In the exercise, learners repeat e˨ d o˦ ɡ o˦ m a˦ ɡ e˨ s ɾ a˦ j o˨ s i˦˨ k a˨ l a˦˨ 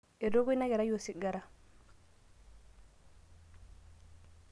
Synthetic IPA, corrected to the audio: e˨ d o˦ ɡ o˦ n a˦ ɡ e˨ ɾ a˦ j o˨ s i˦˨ ɡ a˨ ɾ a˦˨